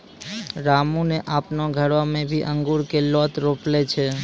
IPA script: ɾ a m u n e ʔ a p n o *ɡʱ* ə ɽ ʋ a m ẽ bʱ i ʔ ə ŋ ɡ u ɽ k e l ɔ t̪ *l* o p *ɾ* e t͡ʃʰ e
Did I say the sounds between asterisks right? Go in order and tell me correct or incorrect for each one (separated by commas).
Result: correct, incorrect, incorrect